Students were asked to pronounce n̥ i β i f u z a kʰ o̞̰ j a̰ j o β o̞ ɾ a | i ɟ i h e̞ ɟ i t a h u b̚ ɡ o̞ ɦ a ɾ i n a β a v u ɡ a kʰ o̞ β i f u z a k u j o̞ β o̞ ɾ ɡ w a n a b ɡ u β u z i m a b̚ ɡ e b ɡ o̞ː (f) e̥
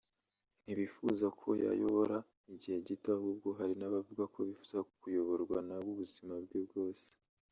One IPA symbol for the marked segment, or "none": s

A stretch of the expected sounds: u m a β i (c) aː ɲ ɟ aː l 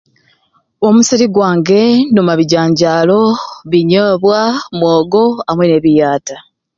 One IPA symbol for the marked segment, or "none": ɟ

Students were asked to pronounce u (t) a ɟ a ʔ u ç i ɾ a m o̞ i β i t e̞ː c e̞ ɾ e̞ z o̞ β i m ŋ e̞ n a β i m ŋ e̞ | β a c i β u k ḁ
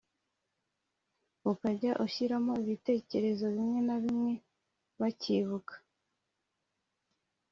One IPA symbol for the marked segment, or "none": k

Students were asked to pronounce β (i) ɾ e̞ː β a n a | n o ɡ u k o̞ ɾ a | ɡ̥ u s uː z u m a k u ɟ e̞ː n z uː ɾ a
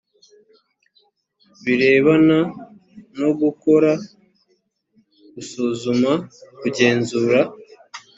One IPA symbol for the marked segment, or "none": i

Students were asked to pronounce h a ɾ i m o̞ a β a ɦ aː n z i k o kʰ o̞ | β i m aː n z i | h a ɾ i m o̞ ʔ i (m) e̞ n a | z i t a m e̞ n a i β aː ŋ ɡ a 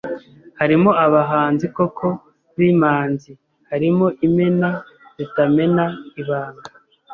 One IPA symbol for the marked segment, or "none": m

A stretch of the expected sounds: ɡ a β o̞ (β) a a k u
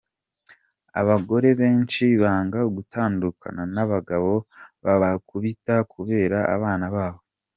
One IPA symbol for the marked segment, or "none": β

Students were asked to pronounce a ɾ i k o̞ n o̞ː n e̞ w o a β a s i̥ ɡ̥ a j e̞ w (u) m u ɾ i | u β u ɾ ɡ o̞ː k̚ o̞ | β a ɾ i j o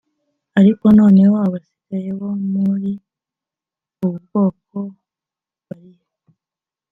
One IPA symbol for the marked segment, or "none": o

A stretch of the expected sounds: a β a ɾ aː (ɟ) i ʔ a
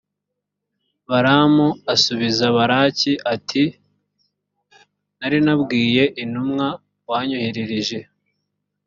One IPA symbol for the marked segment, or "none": c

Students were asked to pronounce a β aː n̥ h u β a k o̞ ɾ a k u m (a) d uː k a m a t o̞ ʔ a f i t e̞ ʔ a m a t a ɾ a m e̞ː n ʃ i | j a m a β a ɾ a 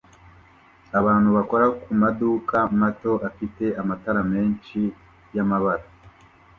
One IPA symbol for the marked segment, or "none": a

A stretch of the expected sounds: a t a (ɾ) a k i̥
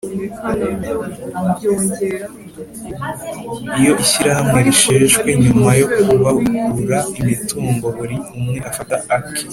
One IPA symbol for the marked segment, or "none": none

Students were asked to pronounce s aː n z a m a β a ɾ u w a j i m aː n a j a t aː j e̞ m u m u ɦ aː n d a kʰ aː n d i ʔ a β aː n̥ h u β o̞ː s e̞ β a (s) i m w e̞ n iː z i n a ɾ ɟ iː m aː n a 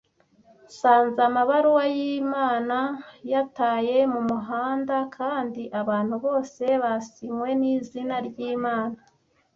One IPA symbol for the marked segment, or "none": s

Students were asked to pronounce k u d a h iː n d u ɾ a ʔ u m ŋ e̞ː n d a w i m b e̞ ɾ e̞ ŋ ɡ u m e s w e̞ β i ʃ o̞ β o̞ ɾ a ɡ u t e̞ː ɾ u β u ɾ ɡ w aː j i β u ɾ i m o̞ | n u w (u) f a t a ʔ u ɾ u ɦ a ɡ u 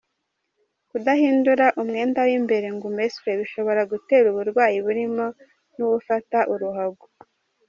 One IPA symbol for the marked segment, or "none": u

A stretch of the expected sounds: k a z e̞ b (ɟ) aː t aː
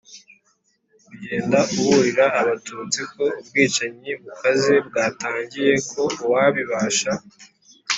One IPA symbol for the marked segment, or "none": ɡ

